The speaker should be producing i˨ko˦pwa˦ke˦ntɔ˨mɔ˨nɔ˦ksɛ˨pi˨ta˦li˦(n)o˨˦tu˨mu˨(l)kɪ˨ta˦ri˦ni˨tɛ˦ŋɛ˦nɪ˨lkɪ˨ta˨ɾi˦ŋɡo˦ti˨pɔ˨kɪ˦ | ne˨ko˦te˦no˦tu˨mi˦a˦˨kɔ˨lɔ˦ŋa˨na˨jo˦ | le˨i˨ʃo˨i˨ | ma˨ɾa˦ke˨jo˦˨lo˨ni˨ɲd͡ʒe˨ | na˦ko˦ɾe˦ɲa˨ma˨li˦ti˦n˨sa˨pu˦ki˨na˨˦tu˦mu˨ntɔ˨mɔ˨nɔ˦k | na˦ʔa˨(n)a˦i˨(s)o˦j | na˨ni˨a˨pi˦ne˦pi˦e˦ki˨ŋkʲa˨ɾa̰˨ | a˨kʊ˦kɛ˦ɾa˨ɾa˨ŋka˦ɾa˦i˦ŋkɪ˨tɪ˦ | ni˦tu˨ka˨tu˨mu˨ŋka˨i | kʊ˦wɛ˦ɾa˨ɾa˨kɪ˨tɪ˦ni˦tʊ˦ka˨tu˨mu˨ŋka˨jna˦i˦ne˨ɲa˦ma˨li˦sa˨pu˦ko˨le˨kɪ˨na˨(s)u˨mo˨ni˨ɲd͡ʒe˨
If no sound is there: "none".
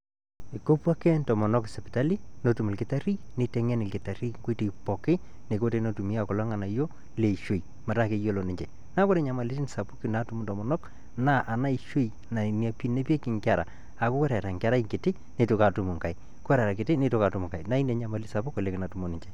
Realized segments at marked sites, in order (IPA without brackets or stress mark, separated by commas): n, l, n, ʃ, t